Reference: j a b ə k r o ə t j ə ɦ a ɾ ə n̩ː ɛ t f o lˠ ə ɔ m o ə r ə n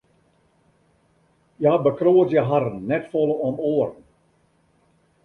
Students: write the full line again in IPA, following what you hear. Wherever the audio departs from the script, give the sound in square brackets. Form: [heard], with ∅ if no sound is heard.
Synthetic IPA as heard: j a b ə k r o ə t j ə ɦ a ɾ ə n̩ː ɛ t f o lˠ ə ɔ m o ə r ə n